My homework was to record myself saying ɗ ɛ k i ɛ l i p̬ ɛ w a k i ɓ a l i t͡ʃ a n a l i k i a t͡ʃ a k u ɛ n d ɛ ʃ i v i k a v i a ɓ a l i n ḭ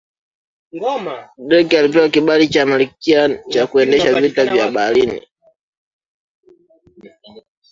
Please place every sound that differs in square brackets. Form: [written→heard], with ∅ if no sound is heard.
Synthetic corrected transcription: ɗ ɛ k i [ɛ→a] l i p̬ ɛ w a k i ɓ a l i t͡ʃ a [n→m] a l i k i a t͡ʃ a k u ɛ n d ɛ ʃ [i→a] v i [k→t] a v [i→j] a ɓ a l i n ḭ